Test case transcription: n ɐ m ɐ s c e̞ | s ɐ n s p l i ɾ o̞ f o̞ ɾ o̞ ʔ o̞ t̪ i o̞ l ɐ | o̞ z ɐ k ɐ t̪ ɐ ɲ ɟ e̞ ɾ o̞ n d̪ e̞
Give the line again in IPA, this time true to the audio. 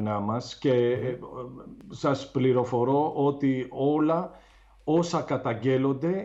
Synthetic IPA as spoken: n ɐ m ɐ s c e̞ | s ɐ s p l i ɾ o̞ f o̞ ɾ o̞ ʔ o̞ t̪ i o̞ l ɐ | o̞ s ɐ k ɐ t̪ ɐ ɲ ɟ e̞ l o̞ n d̪ e̞